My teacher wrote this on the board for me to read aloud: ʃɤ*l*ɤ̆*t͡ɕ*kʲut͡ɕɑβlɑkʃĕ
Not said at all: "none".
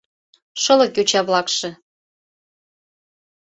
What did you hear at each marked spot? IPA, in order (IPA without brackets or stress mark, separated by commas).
l, none